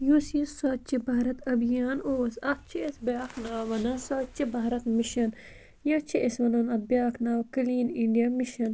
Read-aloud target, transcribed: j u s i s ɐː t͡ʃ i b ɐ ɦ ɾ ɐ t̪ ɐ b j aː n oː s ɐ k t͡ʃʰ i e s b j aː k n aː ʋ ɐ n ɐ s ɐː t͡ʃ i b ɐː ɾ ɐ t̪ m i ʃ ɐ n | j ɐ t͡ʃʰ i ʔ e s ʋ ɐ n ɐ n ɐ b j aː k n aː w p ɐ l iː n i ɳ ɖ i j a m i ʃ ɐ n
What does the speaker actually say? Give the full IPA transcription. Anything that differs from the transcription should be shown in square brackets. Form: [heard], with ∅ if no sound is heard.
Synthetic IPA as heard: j u s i s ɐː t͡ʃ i b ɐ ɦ ɾ ɐ t̪ ɐ b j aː n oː s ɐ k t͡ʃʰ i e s b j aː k n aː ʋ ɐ n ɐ s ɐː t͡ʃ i b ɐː ɾ ɐ t̪ m i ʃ ɐ n | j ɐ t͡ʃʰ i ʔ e s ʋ ɐ n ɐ n ɐ b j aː k n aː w [k] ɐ l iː n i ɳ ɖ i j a m i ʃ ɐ n